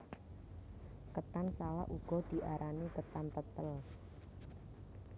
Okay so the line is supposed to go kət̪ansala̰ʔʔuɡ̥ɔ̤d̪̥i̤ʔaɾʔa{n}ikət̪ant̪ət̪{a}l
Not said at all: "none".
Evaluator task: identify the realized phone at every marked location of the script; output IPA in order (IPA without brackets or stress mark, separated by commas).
n, ə